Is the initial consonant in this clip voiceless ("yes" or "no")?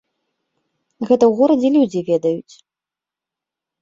no